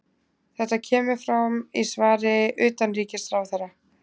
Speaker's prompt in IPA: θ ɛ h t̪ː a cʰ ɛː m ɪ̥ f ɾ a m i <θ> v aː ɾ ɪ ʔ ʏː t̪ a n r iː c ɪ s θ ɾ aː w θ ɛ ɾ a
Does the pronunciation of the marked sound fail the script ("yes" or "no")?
yes